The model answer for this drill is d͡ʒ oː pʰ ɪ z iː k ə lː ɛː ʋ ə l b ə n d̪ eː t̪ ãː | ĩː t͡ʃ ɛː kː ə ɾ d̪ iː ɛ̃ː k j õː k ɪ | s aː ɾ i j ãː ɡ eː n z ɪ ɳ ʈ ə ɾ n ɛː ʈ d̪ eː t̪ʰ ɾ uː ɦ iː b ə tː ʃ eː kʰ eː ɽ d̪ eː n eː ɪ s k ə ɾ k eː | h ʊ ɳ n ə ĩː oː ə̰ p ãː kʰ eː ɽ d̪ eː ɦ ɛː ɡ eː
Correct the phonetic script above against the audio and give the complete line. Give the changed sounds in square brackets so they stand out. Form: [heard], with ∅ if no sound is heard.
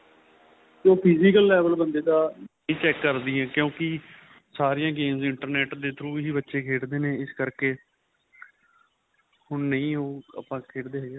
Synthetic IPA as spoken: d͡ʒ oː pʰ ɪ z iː k ə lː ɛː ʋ ə l b ə n d̪ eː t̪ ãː | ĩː t͡ʃ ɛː kː ə ɾ d̪ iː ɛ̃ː k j õː k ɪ | s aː ɾ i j ãː ɡ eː [m] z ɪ ɳ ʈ ə ɾ n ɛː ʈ d̪ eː t̪ʰ ɾ uː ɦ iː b ə tː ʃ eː kʰ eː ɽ d̪ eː n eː ɪ s k ə ɾ k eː | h ʊ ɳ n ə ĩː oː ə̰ p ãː kʰ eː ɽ d̪ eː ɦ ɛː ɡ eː